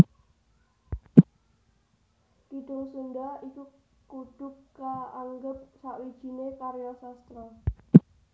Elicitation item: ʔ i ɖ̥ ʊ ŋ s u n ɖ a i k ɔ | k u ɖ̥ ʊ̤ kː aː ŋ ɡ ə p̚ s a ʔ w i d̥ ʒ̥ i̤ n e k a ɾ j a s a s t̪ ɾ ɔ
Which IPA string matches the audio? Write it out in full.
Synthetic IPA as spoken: k i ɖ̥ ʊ ŋ s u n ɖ a i k u | k u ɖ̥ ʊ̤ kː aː ŋ ɡ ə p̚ s a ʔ w i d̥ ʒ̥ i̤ n e k a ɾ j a s a s t̪ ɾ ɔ